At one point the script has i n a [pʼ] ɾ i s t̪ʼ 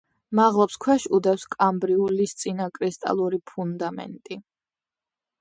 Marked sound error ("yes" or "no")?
yes